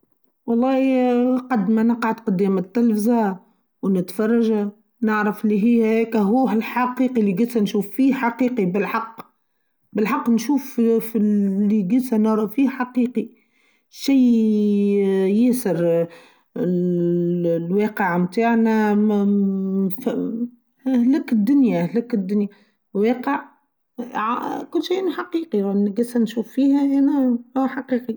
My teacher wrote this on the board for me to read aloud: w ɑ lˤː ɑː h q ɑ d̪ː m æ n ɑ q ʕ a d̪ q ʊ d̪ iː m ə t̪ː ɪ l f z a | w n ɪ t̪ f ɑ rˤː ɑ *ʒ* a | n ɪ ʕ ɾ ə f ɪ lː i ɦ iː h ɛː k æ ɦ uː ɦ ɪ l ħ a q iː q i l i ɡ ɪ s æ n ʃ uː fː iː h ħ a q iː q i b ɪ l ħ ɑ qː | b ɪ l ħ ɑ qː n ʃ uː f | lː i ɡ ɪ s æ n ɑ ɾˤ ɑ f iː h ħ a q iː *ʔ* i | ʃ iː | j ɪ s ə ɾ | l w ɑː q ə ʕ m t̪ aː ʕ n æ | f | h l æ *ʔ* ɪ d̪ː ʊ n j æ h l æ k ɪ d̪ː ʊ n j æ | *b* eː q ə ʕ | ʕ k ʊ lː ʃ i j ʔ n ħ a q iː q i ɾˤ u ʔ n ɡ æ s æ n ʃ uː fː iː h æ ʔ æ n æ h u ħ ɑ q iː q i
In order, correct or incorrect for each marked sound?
correct, incorrect, incorrect, incorrect

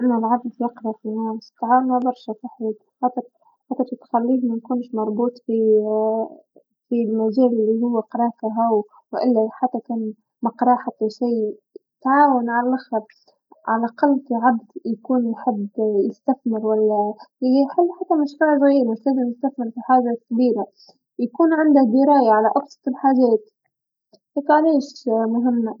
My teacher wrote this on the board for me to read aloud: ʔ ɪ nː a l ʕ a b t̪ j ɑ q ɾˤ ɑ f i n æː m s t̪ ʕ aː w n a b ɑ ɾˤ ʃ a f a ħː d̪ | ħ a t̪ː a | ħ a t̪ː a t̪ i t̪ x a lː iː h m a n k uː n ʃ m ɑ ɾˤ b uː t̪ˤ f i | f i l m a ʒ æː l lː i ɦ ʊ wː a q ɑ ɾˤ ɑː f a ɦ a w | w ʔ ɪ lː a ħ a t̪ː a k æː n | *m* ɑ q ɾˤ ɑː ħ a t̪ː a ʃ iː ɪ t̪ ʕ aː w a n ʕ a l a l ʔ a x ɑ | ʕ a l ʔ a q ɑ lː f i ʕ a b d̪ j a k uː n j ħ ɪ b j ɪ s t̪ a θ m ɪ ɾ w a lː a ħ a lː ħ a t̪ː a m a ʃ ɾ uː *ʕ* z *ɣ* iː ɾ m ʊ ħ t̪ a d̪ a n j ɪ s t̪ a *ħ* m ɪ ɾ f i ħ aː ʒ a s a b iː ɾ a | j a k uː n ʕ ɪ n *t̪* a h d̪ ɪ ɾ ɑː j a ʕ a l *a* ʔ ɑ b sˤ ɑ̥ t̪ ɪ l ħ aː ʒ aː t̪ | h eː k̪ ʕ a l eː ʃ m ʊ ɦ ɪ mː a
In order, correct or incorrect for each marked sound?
correct, correct, correct, incorrect, incorrect, correct

